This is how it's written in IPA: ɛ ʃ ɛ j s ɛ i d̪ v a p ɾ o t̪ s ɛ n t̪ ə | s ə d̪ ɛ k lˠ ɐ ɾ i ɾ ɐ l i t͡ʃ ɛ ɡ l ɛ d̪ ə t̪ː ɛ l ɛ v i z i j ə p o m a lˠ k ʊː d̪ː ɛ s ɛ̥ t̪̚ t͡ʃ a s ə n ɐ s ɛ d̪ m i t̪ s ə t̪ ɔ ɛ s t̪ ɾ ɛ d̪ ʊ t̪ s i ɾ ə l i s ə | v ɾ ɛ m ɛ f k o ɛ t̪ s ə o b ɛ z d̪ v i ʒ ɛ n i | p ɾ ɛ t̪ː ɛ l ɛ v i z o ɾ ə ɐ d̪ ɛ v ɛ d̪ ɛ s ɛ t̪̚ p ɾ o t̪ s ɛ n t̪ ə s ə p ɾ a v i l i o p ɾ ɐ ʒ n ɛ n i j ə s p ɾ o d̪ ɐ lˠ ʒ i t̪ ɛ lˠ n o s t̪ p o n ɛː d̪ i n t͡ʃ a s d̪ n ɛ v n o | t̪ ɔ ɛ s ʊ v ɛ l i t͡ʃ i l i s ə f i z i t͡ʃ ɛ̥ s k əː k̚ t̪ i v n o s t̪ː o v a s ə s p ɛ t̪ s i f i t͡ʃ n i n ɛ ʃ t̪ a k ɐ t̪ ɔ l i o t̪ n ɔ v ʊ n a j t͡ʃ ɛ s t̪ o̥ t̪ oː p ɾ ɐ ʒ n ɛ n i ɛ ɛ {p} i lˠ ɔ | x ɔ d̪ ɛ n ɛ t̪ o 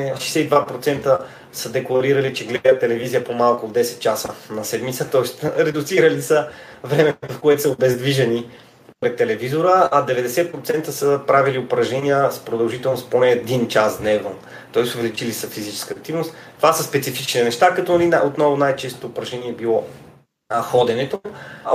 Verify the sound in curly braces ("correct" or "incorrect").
incorrect